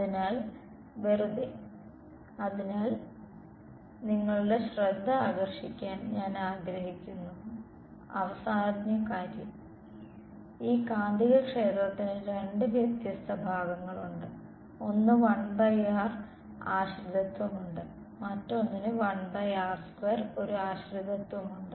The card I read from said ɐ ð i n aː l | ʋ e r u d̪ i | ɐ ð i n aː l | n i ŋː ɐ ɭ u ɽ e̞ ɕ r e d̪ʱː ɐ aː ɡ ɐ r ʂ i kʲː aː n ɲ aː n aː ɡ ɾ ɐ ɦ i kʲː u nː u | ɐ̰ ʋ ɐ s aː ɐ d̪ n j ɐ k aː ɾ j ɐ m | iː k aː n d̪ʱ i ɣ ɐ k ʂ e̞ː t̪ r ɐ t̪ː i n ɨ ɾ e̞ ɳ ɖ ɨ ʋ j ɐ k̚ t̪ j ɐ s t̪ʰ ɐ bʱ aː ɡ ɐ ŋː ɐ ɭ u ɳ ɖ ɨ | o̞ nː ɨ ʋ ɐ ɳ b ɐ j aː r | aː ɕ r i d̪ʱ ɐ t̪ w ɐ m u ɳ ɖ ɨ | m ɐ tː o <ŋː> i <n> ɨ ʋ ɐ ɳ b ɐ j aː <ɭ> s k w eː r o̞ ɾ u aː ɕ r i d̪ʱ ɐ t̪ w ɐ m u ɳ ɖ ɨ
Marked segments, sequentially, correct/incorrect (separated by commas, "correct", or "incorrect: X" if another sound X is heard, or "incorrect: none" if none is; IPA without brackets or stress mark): incorrect: nː, correct, incorrect: r